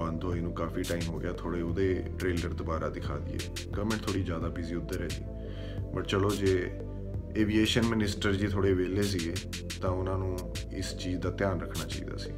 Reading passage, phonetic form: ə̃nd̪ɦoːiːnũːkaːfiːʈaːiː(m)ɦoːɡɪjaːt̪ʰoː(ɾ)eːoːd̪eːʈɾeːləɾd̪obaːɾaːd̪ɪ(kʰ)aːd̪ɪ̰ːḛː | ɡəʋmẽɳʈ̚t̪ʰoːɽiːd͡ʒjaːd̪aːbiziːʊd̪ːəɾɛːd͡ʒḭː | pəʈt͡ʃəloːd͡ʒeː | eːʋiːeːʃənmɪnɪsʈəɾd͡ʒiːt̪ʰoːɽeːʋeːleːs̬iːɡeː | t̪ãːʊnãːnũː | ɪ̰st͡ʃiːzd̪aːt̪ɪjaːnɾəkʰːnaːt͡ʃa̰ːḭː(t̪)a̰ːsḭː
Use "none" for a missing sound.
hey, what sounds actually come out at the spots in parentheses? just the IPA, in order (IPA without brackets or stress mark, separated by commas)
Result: m, ɽ, kʰ, d̪